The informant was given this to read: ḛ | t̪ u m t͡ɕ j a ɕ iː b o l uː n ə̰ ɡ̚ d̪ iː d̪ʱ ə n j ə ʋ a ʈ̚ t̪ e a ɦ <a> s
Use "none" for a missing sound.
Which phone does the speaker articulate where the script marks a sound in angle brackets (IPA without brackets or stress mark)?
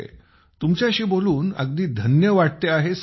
e